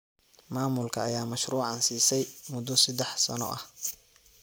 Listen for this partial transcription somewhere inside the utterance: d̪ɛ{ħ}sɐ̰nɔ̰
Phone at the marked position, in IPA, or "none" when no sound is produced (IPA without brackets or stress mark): ħ